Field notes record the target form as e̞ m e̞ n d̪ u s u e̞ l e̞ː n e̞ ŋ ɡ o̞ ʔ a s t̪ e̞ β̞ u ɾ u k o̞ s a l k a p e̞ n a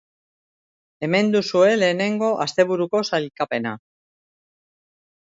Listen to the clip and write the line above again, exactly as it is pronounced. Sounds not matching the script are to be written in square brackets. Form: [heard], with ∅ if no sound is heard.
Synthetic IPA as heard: e̞ m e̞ n d̪ u s u e̞ l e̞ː n e̞ ŋ ɡ o̞ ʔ a s t̪ e̞ β̞ u ɾ u k o̞ s a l k a p e̞ n a